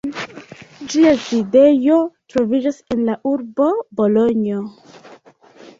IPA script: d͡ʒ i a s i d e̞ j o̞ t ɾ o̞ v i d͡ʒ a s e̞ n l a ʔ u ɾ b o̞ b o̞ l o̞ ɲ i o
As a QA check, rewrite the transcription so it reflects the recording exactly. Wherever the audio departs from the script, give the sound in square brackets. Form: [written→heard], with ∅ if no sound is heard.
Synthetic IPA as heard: d͡ʒ i a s i d e̞ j o̞ t ɾ o̞ v i d͡ʒ a s e̞ n l a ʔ u ɾ b o̞ b o̞ l o̞ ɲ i o